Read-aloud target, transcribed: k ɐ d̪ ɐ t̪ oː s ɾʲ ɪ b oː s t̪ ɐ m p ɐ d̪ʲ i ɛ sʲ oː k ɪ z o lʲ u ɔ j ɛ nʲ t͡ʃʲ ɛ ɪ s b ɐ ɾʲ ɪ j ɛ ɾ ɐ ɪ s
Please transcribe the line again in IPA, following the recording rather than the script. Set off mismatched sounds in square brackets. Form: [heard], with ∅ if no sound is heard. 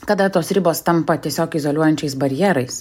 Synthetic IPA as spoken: k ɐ d̪ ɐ t̪ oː s ɾʲ ɪ b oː s t̪ ɐ m p ɐ [t̪ʲ] i ɛ sʲ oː k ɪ z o lʲ u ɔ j ɛ nʲ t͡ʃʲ ɛ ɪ s b ɐ ɾʲ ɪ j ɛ ɾ ɐ ɪ s